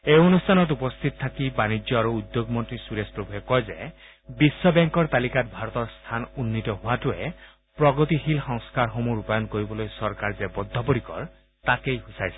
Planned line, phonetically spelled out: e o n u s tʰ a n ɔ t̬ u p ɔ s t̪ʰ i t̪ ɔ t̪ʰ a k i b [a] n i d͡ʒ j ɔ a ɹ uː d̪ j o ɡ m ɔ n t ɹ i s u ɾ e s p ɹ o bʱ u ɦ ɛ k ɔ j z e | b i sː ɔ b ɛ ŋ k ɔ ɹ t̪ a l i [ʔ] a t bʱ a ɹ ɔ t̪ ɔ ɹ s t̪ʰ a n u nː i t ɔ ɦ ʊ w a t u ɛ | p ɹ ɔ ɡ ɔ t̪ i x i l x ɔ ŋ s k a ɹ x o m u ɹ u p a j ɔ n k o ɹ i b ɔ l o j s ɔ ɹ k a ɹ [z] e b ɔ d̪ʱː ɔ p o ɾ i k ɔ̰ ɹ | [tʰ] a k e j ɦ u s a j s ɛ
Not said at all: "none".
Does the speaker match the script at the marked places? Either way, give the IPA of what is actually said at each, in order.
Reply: a, k, z, t

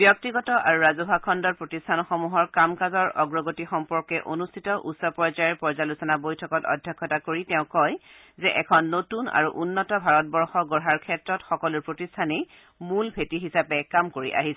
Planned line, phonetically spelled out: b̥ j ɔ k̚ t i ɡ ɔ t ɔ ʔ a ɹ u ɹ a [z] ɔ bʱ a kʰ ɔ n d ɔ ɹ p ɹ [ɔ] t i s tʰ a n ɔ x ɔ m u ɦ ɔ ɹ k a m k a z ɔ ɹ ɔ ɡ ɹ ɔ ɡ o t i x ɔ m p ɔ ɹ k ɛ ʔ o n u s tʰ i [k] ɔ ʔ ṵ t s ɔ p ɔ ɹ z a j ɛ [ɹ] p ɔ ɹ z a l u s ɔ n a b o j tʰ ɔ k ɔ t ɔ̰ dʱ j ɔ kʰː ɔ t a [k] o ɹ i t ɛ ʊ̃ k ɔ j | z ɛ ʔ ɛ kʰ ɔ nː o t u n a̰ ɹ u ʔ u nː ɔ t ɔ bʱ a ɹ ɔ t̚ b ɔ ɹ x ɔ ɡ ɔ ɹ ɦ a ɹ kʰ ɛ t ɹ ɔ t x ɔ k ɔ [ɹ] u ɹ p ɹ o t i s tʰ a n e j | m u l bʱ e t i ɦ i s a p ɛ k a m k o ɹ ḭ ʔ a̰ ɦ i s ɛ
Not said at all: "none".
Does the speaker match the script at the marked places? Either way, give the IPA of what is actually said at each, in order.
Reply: z, o, t, ɹ, k, l

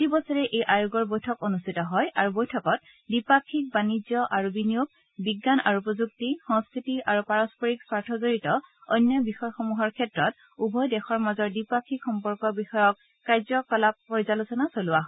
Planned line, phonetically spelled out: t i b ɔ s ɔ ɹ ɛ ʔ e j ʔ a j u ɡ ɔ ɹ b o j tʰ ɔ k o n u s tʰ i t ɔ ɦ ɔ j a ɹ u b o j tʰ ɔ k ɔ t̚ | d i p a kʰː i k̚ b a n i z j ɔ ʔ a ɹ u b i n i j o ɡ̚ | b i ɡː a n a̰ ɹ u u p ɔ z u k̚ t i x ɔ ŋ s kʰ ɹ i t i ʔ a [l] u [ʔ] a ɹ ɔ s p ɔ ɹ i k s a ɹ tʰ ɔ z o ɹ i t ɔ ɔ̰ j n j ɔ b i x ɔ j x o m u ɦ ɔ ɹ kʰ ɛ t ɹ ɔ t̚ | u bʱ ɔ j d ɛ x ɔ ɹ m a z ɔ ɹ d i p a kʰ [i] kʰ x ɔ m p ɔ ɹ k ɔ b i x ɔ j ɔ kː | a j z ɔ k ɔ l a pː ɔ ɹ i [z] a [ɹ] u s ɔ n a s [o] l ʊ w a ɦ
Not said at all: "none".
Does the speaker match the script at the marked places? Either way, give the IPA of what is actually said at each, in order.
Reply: ɹ, p, i, z, l, o

